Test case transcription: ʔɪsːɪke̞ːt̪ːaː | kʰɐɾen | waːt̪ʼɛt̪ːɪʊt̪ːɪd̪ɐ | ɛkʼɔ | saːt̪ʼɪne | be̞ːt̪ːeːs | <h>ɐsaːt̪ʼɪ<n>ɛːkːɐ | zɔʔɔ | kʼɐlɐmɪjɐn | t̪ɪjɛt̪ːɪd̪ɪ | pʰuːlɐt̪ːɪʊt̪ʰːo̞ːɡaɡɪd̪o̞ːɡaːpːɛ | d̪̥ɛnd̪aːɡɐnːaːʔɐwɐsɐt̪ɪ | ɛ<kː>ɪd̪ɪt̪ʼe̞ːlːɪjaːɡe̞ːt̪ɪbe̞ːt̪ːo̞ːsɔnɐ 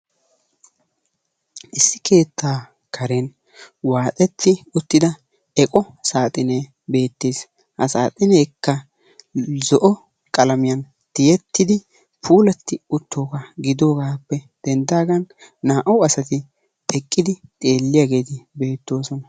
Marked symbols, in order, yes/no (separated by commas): yes, yes, no